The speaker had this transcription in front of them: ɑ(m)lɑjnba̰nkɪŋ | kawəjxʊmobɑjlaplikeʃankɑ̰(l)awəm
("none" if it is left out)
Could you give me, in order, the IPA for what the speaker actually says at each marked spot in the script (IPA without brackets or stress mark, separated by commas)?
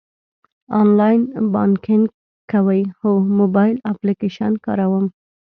n, ɾ